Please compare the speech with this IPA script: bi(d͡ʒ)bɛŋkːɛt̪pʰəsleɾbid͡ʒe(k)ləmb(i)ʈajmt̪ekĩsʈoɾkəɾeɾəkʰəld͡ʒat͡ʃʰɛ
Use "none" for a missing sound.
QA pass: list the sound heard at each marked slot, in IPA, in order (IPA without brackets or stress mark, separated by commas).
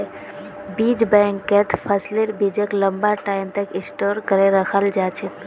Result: d͡ʒ, k, a